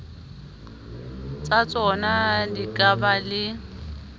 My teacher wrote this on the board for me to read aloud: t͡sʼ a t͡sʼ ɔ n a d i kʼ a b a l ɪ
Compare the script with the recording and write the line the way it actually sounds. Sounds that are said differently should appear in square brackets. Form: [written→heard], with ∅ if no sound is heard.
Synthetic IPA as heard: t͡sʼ a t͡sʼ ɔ n a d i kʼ a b a l ɪ